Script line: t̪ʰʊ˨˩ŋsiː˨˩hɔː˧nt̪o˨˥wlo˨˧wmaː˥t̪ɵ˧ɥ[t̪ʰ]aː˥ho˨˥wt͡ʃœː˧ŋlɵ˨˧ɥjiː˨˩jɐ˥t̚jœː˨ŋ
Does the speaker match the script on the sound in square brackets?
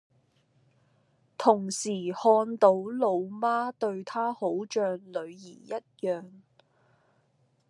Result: yes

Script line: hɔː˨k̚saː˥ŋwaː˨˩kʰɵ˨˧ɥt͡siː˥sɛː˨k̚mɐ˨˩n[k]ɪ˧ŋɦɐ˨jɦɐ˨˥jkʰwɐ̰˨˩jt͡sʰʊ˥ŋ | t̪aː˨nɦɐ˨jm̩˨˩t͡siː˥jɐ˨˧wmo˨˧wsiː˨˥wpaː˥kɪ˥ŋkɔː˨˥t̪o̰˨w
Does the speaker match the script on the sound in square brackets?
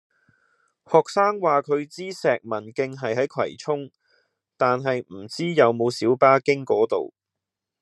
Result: yes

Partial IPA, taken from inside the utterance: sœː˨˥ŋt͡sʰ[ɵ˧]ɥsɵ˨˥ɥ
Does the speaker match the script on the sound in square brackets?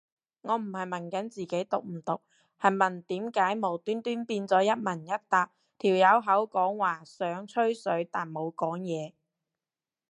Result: no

